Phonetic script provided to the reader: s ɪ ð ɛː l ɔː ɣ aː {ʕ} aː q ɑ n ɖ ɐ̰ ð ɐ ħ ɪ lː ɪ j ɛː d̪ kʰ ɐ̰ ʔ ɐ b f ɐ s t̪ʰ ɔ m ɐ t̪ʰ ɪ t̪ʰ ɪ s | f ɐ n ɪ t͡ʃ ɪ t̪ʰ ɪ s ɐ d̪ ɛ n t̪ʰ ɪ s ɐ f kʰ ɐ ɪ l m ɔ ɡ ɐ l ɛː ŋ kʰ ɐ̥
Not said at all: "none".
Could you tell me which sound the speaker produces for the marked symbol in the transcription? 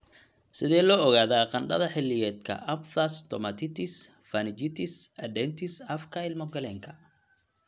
ð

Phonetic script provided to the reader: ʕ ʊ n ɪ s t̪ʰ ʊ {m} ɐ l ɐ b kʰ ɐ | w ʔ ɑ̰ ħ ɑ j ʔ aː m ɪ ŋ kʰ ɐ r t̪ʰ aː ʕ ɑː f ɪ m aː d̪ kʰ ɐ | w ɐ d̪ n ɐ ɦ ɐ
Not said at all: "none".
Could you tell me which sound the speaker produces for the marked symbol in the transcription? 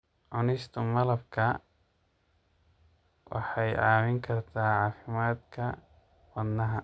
m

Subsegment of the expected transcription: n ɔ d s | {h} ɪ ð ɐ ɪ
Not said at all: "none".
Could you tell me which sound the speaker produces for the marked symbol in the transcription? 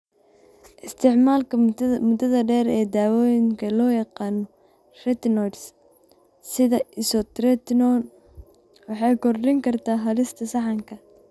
s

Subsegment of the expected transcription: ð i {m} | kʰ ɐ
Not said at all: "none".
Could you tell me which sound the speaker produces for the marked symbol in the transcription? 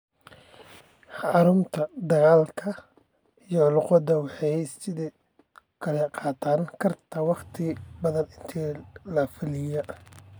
none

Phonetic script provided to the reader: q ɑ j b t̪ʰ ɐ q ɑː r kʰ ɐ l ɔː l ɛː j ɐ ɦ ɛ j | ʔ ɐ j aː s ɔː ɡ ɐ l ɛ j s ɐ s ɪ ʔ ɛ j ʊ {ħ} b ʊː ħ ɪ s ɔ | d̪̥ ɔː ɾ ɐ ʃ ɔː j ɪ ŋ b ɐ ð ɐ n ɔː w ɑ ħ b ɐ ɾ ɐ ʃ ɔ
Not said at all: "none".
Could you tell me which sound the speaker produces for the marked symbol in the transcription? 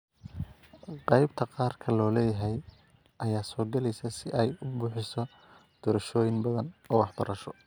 none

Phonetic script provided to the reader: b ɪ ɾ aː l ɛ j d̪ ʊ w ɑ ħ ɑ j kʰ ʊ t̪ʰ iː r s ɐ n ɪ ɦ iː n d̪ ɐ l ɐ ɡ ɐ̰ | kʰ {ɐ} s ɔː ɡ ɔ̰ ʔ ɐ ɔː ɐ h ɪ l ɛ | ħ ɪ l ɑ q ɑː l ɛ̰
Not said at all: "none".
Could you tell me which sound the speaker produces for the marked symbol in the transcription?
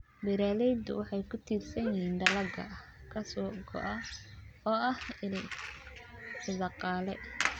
ɐ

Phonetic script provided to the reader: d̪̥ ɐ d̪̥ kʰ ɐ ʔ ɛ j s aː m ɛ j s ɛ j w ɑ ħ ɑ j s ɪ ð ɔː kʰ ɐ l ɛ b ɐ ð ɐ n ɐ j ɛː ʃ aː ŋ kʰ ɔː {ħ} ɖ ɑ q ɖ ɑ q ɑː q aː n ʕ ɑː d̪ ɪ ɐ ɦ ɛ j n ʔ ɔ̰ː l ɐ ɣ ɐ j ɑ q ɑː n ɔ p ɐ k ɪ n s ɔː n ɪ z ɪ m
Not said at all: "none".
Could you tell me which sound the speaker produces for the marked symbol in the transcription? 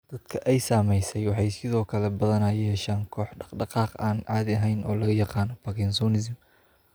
ħ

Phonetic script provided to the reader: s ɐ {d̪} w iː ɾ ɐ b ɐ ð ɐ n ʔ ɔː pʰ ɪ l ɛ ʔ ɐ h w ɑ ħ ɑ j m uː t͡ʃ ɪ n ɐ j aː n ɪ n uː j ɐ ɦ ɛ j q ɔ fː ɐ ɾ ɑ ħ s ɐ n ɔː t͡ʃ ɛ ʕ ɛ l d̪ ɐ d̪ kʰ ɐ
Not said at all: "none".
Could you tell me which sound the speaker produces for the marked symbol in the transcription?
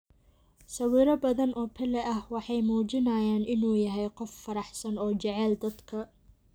none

